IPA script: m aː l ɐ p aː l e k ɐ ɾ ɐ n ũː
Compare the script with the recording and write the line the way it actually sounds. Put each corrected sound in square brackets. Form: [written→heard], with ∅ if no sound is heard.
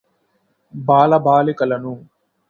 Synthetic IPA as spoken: [m→b] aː l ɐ [p→b] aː l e k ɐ [ɾ→l] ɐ n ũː